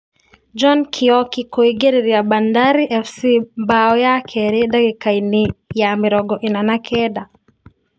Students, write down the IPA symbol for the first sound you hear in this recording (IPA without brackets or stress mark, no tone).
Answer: d͡ʒ